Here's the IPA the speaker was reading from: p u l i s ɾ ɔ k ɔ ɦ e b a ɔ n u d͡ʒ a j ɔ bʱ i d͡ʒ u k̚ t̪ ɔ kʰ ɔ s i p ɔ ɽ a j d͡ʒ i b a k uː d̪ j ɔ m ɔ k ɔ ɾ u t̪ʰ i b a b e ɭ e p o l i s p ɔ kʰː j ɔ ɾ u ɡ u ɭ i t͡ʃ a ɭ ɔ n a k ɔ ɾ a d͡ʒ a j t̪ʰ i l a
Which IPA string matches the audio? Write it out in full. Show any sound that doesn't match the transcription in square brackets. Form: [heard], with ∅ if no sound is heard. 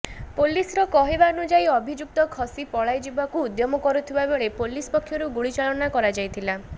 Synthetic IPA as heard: p [o] l i s ɾ ɔ k ɔ ɦ e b a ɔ n u d͡ʒ a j ɔ bʱ i d͡ʒ u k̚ t̪ ɔ kʰ ɔ s i p ɔ [ɭ] a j d͡ʒ i b a k uː d̪ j ɔ m ɔ k ɔ ɾ u t̪ʰ i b a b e ɭ e p o l i s p ɔ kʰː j ɔ ɾ u ɡ u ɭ i t͡ʃ a ɭ ɔ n a k ɔ ɾ a d͡ʒ a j t̪ʰ i l a